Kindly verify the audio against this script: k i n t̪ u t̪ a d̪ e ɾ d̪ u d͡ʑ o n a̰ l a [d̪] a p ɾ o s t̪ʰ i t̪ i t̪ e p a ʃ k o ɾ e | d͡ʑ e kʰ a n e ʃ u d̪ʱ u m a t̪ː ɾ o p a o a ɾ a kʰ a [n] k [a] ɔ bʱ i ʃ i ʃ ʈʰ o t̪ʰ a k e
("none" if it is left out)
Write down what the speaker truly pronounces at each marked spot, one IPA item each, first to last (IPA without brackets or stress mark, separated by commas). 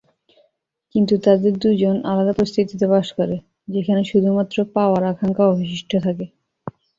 d̪, ŋ, a